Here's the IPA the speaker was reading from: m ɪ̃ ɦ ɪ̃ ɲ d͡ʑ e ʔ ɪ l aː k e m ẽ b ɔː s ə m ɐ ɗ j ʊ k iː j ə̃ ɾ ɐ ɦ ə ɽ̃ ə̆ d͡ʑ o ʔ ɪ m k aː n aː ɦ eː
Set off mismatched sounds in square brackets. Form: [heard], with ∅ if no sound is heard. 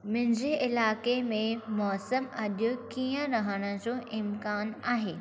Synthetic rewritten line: m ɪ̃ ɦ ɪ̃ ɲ d͡ʑ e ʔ ɪ l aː k e m ẽ [m] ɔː s ə m ɐ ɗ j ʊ k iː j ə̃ ɾ ɐ ɦ ə ɽ̃ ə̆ d͡ʑ o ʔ ɪ m k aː n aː ɦ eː